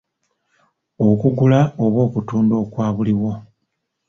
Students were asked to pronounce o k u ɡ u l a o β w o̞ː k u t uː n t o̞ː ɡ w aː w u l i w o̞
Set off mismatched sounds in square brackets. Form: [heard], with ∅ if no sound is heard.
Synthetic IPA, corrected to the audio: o k u ɡ u l a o β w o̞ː k u t uː n [d] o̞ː [k] w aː [β] u l i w o̞